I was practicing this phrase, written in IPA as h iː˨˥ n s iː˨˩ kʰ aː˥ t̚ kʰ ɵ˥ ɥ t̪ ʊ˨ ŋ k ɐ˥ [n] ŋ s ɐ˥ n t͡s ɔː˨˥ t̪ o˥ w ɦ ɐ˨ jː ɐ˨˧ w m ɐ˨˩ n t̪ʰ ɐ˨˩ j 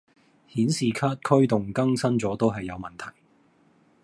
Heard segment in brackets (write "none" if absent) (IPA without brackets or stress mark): none